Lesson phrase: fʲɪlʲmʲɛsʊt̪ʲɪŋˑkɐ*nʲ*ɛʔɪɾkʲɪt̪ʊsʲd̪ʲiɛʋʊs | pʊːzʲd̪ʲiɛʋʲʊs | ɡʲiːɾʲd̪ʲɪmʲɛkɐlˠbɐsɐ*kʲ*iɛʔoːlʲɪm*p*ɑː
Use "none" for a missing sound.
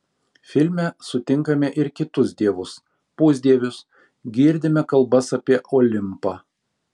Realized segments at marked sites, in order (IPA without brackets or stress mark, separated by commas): mʲ, pʲ, p